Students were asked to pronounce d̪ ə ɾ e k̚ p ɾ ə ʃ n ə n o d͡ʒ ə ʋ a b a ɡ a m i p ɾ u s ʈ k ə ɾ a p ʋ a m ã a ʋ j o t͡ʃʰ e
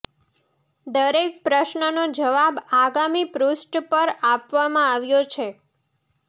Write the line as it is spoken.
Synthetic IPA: d̪ ə ɾ e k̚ p ɾ ə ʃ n ə n o d͡ʒ ə ʋ a b a ɡ a m i p ɾ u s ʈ p ə ɾ a p ʋ a m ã a ʋ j o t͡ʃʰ e